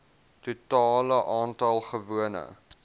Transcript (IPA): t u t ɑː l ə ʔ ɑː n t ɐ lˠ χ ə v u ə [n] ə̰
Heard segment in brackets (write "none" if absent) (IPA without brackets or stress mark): n